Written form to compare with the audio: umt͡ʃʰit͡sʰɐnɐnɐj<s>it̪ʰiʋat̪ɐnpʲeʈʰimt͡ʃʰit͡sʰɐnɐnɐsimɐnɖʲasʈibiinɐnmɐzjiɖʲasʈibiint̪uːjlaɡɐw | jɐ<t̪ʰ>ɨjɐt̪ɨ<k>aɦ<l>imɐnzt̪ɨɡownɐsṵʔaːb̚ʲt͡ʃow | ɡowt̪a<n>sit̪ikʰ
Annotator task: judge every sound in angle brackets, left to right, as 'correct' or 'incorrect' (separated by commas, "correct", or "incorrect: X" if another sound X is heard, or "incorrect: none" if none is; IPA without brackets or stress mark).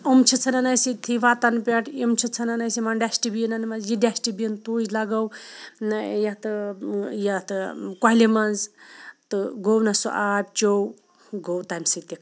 correct, incorrect: t̪, correct, correct, incorrect: m